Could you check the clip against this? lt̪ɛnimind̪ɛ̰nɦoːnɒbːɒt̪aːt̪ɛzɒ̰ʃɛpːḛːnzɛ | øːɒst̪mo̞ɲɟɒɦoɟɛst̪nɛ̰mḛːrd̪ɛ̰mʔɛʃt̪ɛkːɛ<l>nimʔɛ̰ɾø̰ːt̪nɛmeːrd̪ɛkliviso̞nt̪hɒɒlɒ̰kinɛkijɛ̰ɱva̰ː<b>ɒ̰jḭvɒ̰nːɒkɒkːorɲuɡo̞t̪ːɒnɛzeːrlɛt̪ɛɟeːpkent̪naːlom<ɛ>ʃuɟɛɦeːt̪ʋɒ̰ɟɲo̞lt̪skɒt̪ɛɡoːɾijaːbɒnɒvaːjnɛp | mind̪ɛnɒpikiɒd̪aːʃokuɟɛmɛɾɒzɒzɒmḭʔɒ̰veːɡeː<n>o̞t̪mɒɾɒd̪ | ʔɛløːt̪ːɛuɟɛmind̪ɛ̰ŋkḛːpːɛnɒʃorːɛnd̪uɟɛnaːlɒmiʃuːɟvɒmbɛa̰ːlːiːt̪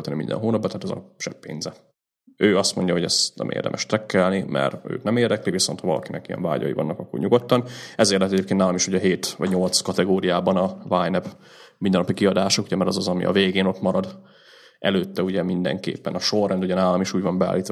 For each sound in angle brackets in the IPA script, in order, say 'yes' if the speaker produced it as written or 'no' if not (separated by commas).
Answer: yes, no, no, yes